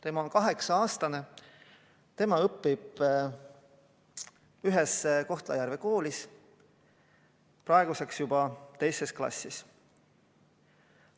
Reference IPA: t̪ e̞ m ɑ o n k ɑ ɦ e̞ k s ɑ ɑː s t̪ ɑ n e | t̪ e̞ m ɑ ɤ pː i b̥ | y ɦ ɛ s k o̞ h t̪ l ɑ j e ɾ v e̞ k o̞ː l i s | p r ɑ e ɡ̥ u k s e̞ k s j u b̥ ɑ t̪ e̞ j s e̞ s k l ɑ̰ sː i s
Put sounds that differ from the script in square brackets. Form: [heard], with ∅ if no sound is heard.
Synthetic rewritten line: t̪ e̞ m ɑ o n k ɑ ɦ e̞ k s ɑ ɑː s t̪ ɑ n e | t̪ e̞ m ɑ ɤ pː i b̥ | y ɦ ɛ s k o̞ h t̪ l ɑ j [æ] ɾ v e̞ k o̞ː l i s | p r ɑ e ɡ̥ u [∅] s e̞ k s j u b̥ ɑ t̪ e̞ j s e̞ s k l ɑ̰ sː i s